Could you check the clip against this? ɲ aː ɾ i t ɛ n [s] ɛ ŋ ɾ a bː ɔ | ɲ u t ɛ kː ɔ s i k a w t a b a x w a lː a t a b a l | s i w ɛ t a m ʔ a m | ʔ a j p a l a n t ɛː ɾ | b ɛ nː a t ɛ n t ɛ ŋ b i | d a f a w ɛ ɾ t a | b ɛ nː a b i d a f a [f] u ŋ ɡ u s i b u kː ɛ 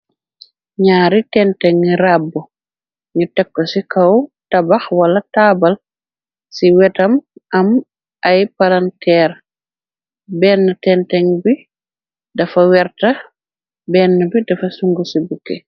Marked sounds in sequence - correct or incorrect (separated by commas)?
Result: incorrect, incorrect